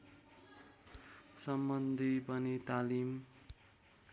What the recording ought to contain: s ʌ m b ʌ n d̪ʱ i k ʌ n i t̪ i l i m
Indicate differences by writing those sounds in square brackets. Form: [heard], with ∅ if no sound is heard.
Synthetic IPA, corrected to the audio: s ʌ m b ʌ n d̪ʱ i [p] ʌ n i t̪ [a] l i m